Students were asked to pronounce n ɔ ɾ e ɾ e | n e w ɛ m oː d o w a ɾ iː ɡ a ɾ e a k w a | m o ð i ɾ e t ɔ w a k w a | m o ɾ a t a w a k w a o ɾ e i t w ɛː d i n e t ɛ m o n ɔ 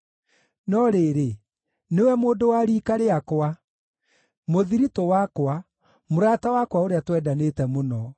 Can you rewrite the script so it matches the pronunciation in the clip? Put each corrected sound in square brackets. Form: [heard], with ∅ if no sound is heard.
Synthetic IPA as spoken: n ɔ ɾ e ɾ e | n e w ɛ m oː d o w a ɾ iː [k] a ɾ e a k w a | m o ð i ɾ [i] t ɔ w a k w a | m o ɾ a t a w a k w a o ɾ e [a] t w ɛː d [a] n e t ɛ m o n ɔ